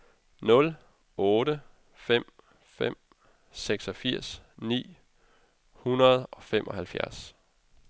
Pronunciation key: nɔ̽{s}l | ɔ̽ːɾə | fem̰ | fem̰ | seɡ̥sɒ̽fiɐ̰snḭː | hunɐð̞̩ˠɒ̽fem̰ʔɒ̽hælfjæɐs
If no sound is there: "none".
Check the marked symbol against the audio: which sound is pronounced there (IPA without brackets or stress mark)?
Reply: none